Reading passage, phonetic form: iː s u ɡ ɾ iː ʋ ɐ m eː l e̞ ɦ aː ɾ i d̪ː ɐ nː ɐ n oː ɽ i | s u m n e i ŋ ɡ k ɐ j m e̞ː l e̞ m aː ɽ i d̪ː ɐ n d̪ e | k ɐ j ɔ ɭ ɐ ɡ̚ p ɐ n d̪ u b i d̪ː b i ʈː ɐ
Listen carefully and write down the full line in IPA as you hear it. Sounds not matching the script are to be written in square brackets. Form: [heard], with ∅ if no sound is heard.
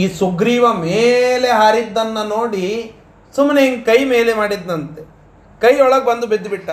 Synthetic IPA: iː s u ɡ ɾ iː ʋ ɐ m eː l e̞ ɦ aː ɾ i d̪ː ɐ nː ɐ n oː ɽ i | s u m n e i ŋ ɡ k ɐ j m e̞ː l e̞ m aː ɽ i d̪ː ɐ n [t̪] e | k ɐ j ɔ ɭ ɐ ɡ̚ [b] ɐ n d̪ u b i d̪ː b i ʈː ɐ